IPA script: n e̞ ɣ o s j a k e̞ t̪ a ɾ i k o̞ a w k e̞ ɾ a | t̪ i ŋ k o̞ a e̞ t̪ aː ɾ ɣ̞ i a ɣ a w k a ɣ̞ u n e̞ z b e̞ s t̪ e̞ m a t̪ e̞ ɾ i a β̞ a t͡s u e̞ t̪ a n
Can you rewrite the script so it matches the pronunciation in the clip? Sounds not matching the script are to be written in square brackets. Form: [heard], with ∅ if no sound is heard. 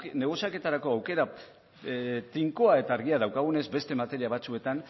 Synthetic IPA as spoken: n e̞ ɣ o s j a k e̞ t̪ a ɾ [a] k o̞ a w k e̞ ɾ a | t̪ i ŋ k o̞ a e̞ t̪ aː ɾ ɣ̞ i a [ð] a w k a ɣ̞ u n e̞ z b e̞ s t̪ e̞ m a t̪ e̞ ɾ i a β̞ a t͡s u e̞ t̪ a n